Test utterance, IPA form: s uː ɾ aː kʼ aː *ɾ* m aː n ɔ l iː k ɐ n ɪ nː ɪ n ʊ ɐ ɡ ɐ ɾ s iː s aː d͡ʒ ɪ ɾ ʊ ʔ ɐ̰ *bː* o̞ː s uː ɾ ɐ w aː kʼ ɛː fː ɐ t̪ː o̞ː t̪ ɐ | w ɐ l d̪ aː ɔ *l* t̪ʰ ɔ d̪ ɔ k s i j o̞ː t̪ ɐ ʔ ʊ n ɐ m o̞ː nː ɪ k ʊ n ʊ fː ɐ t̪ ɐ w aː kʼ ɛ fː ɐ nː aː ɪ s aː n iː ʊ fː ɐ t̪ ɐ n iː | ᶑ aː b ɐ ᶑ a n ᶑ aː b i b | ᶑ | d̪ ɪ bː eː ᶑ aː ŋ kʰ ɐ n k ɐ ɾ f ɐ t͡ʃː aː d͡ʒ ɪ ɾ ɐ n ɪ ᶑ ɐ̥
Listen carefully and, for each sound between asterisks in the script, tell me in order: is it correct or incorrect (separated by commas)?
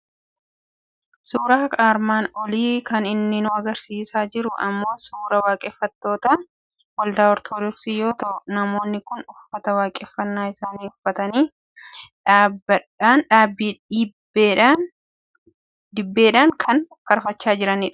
correct, incorrect, incorrect